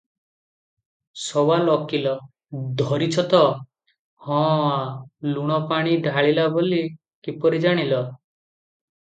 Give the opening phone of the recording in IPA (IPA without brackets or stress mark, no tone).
s